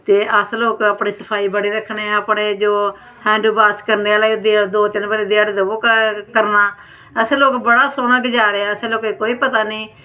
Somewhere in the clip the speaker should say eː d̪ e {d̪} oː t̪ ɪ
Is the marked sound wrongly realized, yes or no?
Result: no